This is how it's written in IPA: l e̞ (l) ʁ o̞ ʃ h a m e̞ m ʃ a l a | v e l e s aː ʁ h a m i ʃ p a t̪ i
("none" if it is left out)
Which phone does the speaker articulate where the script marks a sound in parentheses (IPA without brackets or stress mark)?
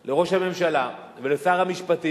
none